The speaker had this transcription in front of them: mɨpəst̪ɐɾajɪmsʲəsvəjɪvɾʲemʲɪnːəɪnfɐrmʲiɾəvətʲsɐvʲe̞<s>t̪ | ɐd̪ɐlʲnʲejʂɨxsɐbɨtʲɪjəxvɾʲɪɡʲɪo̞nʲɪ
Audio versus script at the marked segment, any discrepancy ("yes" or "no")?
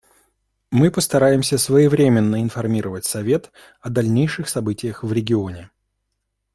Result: yes